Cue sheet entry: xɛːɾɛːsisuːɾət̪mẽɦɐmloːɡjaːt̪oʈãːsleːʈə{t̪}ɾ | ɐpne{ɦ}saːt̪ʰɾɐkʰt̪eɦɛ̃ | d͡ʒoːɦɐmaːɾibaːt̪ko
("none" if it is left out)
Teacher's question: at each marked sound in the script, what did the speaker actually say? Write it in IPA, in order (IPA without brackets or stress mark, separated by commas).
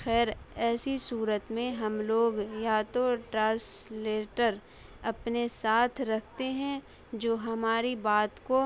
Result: none, none